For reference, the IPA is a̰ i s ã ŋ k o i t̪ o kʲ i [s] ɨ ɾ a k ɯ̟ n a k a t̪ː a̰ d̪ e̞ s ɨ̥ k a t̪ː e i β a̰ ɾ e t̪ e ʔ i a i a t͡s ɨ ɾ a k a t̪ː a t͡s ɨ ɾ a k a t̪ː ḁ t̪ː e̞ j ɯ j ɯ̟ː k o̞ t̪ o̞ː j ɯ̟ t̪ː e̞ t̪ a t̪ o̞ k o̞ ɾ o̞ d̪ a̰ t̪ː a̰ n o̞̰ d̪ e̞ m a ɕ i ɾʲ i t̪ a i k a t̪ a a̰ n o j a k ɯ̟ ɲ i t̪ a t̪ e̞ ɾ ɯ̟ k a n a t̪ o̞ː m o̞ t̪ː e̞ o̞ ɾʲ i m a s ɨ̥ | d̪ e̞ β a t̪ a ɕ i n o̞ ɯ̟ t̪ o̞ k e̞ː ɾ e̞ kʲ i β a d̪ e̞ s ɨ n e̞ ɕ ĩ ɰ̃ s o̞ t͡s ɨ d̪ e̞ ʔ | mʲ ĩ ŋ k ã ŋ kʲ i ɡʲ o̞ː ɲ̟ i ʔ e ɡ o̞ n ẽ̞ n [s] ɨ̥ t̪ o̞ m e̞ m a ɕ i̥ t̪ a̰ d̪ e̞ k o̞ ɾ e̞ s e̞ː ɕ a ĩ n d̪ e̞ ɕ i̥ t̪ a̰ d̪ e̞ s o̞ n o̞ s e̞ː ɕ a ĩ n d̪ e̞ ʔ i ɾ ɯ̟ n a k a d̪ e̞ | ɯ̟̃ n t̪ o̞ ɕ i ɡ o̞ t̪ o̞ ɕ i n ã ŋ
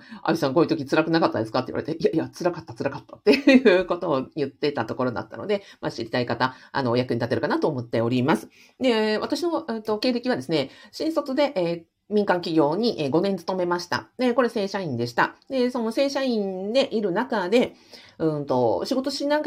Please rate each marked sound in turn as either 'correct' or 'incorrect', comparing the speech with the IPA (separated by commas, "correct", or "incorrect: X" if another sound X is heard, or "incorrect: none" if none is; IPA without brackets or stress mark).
incorrect: t͡s, incorrect: t͡s